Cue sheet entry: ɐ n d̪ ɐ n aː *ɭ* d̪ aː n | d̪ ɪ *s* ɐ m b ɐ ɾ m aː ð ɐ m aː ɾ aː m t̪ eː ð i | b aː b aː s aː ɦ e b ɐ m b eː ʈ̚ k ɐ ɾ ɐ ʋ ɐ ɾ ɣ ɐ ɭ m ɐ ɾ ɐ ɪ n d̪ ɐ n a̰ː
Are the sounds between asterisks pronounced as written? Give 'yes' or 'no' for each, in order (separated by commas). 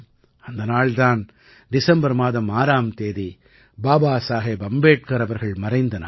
yes, yes